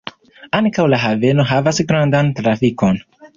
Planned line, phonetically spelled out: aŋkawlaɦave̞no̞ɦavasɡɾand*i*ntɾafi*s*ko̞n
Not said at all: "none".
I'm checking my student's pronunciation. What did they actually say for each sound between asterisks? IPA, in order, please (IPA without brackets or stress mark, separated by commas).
a, none